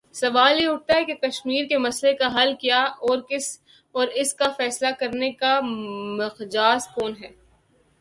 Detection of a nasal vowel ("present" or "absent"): absent